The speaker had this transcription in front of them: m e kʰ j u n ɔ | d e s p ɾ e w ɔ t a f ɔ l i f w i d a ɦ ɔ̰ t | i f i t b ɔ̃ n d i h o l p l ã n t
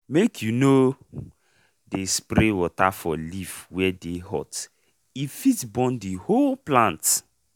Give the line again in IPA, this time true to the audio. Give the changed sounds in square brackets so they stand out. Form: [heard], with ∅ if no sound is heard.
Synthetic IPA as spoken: m e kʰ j u n [o] | d e s p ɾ e w ɔ t a f ɔ l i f w [ɛ] d [e] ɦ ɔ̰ t | i f i t b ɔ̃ n d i h o l p l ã n t